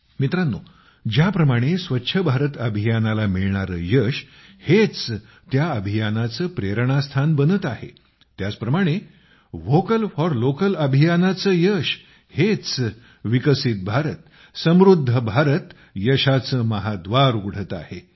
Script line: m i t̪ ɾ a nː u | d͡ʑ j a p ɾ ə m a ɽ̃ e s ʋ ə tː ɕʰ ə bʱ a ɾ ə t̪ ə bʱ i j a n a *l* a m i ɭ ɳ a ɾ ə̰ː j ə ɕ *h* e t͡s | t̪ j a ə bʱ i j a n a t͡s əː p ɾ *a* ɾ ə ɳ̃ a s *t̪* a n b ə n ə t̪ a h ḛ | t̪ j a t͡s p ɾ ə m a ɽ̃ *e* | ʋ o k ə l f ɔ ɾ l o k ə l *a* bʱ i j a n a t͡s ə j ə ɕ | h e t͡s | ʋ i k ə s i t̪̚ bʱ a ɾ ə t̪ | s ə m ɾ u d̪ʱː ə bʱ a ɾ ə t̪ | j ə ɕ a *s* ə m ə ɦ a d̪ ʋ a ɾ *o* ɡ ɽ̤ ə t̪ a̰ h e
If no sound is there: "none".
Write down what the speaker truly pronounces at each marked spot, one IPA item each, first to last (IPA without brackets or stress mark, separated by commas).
l, h, e, t̪ʰ, e, ə, t͡s, u